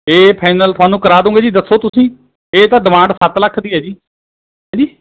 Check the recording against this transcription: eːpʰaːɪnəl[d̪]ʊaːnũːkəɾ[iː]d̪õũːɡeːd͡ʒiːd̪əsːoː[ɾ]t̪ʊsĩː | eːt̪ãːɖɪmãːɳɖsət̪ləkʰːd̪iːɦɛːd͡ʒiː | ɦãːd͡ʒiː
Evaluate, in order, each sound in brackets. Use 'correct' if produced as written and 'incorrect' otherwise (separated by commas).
incorrect, incorrect, incorrect